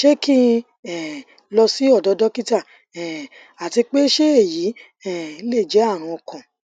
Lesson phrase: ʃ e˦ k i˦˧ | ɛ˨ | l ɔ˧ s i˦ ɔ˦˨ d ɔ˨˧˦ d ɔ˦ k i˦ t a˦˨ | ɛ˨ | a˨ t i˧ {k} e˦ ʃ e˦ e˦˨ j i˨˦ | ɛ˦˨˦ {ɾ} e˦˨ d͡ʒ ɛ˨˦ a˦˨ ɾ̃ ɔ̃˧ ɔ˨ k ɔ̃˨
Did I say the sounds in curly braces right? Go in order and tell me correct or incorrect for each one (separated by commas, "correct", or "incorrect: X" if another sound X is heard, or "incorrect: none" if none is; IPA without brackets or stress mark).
incorrect: k͡p, incorrect: l